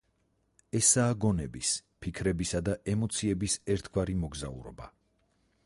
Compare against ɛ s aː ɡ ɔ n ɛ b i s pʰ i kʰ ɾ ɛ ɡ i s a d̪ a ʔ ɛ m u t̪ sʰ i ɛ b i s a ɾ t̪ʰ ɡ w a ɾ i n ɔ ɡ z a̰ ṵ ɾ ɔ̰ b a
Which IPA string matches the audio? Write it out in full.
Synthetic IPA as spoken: ɛ s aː ɡ ɔ n ɛ b i s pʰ i kʰ ɾ ɛ b i s a d̪ a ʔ ɛ m ɔ t̪ sʰ i ɛ b i s ɛ ɾ t̪ʰ ɡ w a ɾ i m ɔ ɡ z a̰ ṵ ɾ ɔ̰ b a